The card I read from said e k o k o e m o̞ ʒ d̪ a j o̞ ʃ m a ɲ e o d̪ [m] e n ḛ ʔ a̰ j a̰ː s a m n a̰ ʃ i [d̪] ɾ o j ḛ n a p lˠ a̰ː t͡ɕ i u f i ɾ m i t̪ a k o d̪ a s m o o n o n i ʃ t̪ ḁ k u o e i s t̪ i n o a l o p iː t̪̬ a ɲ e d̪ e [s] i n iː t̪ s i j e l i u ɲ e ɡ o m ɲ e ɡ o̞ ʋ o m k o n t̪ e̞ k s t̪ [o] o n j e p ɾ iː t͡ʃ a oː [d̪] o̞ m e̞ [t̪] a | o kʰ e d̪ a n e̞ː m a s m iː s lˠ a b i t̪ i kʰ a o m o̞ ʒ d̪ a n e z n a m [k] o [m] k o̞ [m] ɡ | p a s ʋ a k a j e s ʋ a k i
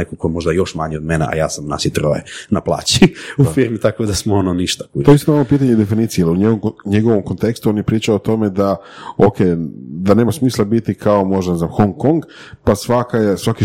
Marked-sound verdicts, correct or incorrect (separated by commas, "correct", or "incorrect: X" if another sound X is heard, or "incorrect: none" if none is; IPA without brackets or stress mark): correct, incorrect: t̪, incorrect: f, incorrect: u, incorrect: t̪, incorrect: d̪, incorrect: x, incorrect: ŋ, incorrect: ŋ